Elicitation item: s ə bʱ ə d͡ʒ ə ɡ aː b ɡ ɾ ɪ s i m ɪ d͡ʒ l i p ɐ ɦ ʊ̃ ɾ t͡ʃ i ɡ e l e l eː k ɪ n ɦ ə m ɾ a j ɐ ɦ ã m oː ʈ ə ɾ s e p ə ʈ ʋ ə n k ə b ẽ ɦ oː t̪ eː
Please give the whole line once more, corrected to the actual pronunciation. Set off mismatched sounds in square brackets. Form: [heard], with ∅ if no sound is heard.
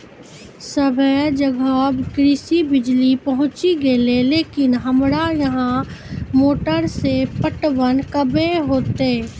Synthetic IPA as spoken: s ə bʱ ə d͡ʒ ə ɡ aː b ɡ ɾ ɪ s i [b] ɪ d͡ʒ l i p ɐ ɦ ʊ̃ [∅] t͡ʃ i ɡ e l e l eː k ɪ n ɦ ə m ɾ a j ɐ ɦ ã m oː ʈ ə ɾ s e p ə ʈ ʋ ə n k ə b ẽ ɦ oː t̪ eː

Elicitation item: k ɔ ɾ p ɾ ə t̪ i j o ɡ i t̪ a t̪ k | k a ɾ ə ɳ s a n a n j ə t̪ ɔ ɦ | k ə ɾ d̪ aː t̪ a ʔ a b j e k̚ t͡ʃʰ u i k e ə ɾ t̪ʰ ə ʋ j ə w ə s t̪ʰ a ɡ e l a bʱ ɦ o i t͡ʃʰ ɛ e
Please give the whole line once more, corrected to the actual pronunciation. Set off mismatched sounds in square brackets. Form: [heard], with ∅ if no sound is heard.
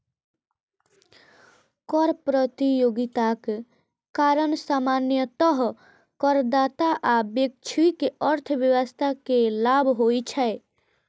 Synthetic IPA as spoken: k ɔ ɾ p ɾ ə t̪ i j o ɡ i t̪ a [∅] k | k a ɾ ə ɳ s a [m] a n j ə t̪ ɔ ɦ | k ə ɾ d̪ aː t̪ a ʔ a b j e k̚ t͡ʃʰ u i k e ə ɾ t̪ʰ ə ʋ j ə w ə s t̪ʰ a [k] e l a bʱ ɦ o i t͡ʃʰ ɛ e

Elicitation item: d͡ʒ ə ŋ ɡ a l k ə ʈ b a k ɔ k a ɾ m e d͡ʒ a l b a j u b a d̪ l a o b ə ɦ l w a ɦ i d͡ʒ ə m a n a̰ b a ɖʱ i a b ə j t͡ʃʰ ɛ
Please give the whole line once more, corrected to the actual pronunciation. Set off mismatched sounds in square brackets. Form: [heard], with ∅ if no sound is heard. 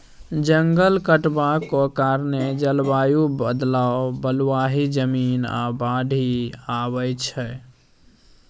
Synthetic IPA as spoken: d͡ʒ ə ŋ ɡ [ə] l k ə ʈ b a k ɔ k a ɾ [n] e d͡ʒ [ə] l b a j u b [ə] d̪ l a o b ə [∅] l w a ɦ i d͡ʒ ə m [i] n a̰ b a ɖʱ i a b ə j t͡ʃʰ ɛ

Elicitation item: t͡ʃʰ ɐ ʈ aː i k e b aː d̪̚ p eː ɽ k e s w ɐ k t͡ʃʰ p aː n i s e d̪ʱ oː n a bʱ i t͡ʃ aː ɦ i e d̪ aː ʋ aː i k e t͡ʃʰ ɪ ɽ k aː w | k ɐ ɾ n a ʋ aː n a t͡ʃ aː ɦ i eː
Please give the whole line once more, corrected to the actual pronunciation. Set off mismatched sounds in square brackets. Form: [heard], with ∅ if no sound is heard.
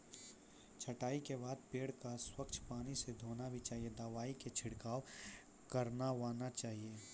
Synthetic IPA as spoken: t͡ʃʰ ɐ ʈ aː i k e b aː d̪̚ p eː ɽ k [a] s w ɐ k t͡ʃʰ p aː n i s e d̪ʱ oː n a bʱ i t͡ʃ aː ɦ i e d̪ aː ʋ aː i k e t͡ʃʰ ɪ ɽ k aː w | k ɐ ɾ n a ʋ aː n a t͡ʃ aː ɦ i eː

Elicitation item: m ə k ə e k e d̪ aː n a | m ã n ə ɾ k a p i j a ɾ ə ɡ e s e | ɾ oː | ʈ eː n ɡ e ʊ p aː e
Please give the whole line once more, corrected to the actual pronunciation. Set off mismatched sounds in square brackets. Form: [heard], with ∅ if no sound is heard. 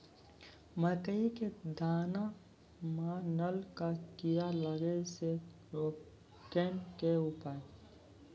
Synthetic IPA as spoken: m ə k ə [i] k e d̪ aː n a | m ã n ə [l] k a [k] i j a [l] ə ɡ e s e | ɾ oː | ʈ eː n [k] e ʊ p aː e

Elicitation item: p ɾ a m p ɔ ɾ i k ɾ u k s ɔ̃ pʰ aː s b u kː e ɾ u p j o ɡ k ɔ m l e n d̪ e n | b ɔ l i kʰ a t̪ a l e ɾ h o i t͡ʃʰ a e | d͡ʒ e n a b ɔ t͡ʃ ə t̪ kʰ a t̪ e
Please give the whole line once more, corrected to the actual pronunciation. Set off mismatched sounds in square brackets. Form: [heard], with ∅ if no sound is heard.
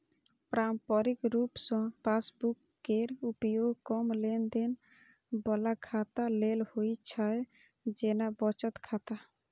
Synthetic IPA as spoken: p ɾ a m p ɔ ɾ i k ɾ u [p] s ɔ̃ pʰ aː s b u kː e ɾ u p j o ɡ k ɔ m l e n d̪ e n | b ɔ l [a] kʰ a t̪ a l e [l] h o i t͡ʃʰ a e | d͡ʒ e n a b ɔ t͡ʃ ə t̪ kʰ a t̪ [a]

